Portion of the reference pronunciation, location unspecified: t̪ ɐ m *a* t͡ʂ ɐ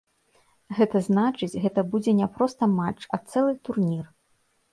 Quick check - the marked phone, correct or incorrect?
correct